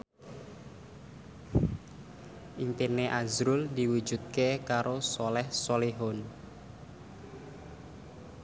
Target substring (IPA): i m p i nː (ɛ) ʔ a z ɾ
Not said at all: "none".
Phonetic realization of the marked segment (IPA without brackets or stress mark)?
e